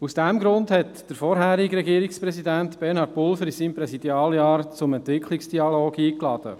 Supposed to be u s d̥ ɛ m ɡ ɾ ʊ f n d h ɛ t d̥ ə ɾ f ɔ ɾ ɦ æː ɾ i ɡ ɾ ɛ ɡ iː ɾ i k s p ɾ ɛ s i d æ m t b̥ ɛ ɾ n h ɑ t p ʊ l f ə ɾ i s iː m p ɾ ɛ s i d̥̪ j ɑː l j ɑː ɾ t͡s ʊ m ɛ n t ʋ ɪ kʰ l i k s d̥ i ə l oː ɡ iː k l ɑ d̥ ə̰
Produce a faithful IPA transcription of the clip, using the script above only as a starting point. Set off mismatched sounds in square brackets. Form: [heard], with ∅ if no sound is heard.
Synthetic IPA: u s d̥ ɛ m ɡ ɾ ʊ [∅] n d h ɛ t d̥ ə ɾ f ɔ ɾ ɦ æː ɾ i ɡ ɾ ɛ ɡ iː ɾ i k s p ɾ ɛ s i d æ [n] t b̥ ɛ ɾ n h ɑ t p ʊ l f ə ɾ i s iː m p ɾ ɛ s i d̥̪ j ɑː l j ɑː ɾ t͡s ʊ m ɛ n t ʋ ɪ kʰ l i k s d̥ i [ɑ] l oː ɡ iː k l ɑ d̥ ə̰